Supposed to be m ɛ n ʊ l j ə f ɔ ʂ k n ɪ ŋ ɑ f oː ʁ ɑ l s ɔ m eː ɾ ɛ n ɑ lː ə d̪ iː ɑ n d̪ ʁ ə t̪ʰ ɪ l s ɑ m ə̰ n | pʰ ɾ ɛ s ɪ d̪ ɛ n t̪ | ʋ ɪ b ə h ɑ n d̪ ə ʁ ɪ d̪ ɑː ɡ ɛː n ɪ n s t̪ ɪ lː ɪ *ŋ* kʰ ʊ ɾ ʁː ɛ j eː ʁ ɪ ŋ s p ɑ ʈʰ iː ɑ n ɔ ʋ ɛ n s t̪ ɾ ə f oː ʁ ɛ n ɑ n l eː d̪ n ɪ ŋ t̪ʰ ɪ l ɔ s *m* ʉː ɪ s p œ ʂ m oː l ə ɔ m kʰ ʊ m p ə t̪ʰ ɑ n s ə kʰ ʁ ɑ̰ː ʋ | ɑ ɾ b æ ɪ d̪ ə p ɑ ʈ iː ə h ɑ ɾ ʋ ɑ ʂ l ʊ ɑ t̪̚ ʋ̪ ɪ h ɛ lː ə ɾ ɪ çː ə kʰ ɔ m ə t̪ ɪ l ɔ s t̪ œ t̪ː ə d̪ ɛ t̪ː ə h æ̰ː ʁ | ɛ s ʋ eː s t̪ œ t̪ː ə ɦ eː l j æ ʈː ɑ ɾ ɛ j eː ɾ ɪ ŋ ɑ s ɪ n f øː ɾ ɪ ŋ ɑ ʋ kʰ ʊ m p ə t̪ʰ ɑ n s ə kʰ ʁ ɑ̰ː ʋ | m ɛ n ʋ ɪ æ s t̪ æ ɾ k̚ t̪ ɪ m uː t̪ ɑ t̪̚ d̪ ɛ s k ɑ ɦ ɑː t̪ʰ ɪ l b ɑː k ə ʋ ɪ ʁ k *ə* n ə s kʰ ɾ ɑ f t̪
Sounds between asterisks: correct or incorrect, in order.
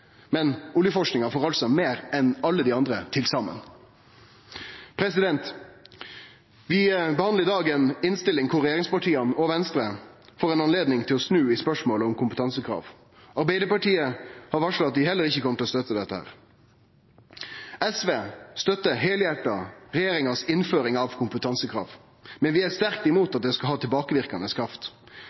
correct, incorrect: n, incorrect: ɑ

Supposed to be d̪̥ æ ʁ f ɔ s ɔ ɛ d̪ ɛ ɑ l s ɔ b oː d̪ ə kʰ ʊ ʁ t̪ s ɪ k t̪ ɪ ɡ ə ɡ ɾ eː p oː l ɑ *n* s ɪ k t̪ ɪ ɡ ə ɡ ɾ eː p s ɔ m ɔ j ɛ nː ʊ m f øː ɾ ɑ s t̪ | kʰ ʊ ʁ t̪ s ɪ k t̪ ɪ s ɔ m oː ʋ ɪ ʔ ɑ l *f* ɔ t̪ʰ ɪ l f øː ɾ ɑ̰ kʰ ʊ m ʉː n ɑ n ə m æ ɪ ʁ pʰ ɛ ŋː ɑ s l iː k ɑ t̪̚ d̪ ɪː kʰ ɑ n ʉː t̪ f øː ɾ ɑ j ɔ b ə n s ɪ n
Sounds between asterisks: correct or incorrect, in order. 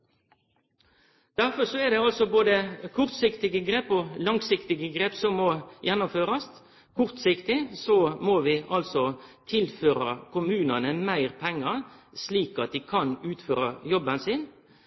incorrect: ŋ, incorrect: s

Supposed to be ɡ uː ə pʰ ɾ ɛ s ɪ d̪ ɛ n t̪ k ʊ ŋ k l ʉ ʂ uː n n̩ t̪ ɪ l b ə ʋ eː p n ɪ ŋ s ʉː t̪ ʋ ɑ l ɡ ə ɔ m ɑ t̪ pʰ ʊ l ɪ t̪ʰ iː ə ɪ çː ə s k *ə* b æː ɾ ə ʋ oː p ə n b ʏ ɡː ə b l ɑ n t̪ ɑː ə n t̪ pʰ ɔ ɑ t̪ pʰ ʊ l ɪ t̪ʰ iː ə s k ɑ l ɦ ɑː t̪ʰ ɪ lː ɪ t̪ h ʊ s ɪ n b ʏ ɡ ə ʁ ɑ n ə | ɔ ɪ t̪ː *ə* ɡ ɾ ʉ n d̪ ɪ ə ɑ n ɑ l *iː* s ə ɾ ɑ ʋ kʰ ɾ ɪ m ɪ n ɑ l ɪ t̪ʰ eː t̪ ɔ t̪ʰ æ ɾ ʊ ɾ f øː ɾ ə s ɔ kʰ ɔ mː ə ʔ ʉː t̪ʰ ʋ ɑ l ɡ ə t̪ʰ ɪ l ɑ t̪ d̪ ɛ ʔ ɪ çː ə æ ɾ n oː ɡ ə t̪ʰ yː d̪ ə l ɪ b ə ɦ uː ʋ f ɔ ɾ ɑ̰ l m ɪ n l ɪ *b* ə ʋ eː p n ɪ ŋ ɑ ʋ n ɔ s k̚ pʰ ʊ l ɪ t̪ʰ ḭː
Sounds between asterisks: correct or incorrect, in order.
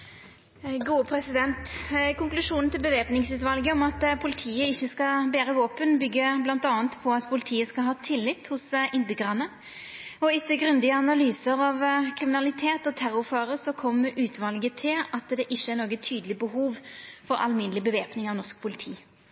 incorrect: ɑ, correct, incorrect: yː, correct

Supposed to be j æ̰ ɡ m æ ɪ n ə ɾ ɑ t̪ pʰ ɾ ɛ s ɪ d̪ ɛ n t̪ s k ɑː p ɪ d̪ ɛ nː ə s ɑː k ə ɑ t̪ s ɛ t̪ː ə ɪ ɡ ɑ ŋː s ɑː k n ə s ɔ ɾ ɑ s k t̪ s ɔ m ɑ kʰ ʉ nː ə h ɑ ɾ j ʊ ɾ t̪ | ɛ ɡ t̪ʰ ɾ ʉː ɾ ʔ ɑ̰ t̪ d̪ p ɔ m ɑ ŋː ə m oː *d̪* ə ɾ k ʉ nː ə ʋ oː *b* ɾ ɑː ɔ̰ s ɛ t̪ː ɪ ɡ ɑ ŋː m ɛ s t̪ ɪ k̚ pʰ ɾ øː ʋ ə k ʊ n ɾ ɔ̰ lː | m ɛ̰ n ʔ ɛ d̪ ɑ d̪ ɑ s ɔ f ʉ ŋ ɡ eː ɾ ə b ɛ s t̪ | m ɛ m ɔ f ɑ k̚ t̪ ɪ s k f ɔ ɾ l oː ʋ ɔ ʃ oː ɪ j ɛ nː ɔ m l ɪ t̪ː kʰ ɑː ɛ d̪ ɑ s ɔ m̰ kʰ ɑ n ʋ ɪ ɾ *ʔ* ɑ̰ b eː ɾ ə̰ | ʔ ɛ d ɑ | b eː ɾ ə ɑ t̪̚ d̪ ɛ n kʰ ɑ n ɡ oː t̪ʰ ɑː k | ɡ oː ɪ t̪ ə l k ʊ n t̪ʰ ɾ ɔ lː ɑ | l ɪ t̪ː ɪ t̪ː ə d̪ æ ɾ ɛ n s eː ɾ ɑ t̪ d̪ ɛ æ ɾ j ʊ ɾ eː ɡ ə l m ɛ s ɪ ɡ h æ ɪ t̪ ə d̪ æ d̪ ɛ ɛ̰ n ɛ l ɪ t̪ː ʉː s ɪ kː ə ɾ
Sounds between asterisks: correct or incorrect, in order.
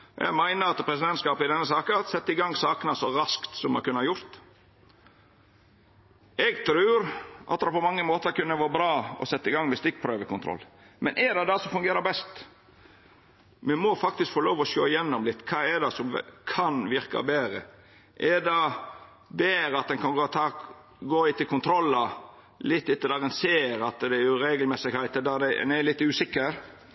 incorrect: t̪, correct, incorrect: k

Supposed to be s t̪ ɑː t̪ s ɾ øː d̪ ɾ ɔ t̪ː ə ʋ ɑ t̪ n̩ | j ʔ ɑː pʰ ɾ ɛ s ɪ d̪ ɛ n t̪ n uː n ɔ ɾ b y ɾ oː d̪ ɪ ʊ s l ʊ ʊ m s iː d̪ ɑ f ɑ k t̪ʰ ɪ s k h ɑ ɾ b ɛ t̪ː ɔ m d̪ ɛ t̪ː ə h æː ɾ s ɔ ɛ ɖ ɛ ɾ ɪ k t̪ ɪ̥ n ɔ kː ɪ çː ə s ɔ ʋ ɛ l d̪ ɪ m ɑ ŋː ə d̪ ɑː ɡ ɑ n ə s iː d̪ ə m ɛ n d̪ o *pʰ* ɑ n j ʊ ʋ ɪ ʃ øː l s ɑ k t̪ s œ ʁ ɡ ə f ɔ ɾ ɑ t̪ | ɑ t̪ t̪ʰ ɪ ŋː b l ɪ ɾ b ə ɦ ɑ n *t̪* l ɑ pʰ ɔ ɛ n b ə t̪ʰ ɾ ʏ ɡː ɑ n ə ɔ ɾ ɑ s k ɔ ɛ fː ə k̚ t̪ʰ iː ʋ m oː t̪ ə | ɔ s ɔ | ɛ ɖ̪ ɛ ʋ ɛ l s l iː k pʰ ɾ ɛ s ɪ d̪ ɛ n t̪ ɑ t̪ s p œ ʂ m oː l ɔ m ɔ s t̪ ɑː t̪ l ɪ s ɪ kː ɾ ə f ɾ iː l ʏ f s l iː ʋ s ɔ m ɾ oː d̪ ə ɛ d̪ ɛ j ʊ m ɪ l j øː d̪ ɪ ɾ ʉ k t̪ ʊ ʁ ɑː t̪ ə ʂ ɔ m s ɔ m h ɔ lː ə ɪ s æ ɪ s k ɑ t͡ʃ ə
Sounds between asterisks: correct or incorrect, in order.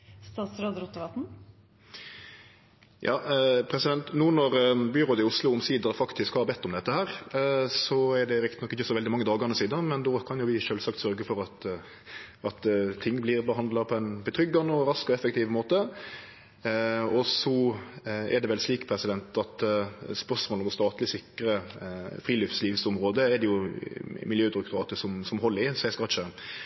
incorrect: kʰ, incorrect: d̪

